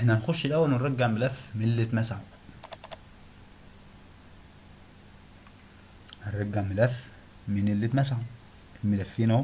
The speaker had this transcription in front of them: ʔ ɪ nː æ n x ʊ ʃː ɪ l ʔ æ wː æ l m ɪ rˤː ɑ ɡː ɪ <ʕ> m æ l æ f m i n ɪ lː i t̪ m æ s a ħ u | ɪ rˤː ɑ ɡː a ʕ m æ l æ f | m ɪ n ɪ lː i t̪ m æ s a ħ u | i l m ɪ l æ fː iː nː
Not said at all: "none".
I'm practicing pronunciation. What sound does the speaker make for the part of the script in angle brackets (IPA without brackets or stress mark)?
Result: ʕ